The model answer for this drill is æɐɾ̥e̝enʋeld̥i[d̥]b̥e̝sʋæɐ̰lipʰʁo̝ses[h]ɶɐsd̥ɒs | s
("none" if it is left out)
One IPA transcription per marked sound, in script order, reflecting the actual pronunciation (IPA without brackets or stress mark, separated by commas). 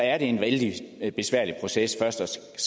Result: none, f